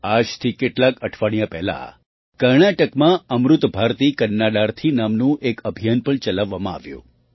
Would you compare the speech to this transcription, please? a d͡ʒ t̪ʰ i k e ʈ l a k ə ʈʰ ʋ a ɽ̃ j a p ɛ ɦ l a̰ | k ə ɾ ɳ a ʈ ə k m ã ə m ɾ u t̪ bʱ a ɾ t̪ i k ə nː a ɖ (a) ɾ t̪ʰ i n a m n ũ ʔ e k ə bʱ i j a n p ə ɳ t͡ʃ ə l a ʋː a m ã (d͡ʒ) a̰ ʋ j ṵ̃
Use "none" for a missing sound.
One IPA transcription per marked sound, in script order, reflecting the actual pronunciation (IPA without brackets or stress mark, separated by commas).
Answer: a, none